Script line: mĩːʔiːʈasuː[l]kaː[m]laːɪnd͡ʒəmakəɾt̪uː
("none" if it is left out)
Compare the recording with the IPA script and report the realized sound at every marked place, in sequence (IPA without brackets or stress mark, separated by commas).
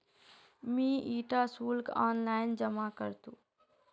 l, n